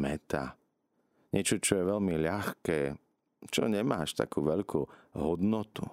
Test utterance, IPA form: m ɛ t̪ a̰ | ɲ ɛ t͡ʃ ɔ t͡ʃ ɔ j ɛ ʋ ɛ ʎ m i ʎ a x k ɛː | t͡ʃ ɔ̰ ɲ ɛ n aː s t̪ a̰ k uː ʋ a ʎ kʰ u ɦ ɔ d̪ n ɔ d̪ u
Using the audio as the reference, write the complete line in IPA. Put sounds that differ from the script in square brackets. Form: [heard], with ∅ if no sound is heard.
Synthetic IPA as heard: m ɛ t̪ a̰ | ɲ ɛ t͡ʃ ɔ t͡ʃ ɔ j ɛ ʋ ɛ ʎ m i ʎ a x k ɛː | t͡ʃ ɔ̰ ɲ ɛ [m] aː [ʃ] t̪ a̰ k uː ʋ [ɛ] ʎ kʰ u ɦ ɔ d̪ n ɔ [t̪] u